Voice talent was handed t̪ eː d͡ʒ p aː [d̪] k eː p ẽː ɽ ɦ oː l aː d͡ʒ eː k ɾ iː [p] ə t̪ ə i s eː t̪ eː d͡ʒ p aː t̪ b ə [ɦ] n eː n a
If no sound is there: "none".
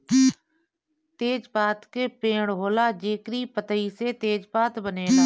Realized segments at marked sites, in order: t̪, p, none

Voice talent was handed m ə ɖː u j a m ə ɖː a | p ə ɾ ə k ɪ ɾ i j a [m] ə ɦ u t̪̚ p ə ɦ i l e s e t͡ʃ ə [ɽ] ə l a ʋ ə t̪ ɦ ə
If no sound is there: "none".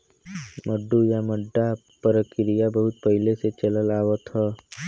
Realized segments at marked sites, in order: b, l

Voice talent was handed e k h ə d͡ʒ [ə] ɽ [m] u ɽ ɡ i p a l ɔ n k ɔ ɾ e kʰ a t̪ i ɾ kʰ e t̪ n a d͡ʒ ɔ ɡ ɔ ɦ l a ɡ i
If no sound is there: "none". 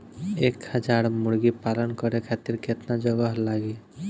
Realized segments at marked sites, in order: a, m

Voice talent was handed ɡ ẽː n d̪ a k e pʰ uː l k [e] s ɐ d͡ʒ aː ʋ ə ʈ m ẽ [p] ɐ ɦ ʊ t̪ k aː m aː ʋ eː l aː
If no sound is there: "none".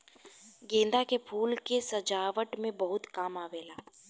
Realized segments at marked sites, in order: e, b

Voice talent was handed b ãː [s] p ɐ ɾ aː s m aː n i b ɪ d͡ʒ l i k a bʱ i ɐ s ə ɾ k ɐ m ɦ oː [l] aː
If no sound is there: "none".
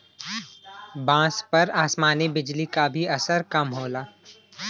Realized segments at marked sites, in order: s, l

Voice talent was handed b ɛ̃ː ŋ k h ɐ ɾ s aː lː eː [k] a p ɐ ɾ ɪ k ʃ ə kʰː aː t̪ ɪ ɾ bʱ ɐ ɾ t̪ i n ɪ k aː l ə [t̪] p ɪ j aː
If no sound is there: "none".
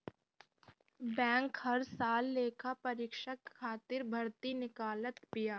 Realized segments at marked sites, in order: kʰ, t̪

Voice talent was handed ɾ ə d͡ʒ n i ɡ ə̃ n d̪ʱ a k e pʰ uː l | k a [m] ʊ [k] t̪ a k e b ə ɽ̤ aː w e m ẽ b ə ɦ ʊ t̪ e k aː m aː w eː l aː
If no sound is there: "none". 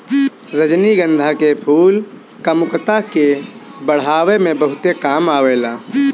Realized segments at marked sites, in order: m, k

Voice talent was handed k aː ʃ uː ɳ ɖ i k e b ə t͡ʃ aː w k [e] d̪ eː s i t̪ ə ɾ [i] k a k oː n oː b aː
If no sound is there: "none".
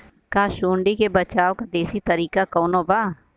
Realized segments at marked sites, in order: a, iː

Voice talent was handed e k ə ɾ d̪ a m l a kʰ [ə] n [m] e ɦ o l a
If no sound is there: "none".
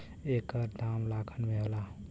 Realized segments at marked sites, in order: ə, m

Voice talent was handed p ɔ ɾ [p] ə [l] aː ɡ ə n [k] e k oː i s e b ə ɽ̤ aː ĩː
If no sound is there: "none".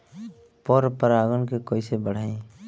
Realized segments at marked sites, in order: p, ɾ, k

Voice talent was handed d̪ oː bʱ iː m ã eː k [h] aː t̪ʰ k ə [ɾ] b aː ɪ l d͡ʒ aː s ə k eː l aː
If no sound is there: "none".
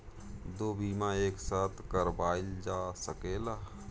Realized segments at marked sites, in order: s, ɾ

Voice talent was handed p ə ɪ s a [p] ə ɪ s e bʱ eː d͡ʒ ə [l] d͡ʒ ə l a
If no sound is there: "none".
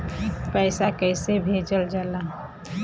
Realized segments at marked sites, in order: k, l

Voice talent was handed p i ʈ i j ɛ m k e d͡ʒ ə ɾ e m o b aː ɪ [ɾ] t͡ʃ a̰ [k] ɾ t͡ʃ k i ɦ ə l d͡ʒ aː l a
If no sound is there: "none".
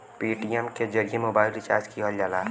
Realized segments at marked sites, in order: l, none

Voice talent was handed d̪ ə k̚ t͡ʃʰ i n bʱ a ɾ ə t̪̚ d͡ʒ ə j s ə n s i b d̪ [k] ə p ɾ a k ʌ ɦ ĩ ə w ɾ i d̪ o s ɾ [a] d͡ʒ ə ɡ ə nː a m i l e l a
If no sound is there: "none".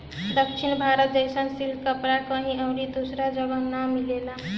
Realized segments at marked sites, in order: k, a

